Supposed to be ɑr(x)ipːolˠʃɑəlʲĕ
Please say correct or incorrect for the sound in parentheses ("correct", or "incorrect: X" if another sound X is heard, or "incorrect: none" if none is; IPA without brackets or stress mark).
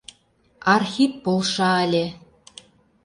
correct